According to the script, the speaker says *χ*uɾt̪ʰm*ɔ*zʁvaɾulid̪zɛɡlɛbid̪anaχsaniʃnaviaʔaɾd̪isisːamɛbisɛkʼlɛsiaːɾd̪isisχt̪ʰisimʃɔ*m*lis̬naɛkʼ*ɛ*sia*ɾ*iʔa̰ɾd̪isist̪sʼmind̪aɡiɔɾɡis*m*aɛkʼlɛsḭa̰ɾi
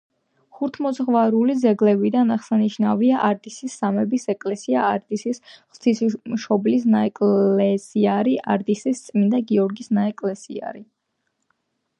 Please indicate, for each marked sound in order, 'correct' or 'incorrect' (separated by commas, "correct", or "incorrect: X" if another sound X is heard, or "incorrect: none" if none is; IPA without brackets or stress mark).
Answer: correct, correct, incorrect: b, correct, correct, incorrect: n